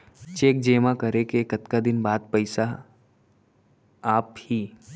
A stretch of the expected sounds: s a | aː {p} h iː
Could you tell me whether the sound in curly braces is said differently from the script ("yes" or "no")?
no